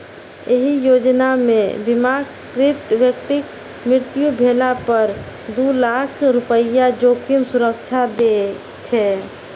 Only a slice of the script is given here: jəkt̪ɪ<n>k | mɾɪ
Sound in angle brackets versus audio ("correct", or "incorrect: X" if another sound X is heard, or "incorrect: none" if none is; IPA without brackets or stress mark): incorrect: none